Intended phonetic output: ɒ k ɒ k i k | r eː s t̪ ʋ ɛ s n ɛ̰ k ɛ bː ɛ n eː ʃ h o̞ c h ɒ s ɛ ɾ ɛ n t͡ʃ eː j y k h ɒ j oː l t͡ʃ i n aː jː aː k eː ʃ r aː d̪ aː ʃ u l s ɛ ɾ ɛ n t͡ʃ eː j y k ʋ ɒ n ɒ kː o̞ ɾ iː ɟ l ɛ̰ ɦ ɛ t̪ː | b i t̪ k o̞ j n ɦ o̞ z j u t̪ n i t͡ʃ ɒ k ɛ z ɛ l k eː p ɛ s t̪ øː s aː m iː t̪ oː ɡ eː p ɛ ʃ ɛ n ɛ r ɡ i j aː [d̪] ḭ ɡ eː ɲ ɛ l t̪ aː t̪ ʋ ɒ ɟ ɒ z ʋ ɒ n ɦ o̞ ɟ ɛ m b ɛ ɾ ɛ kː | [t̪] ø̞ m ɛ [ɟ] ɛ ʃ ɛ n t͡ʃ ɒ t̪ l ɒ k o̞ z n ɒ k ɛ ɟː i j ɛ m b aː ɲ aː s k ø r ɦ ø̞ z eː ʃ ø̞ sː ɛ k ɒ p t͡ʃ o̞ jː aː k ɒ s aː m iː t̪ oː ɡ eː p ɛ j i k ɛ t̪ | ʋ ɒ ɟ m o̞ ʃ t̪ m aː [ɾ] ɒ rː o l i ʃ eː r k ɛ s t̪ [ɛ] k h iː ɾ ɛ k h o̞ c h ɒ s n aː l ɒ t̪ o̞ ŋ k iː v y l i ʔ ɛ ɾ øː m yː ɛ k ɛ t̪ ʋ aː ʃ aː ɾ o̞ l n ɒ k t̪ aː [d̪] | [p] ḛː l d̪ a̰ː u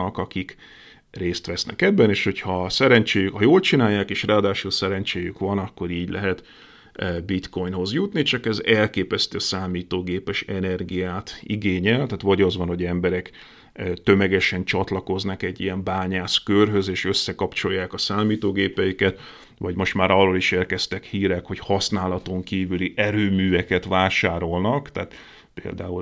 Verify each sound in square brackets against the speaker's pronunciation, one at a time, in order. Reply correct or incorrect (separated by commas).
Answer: incorrect, correct, incorrect, correct, correct, incorrect, correct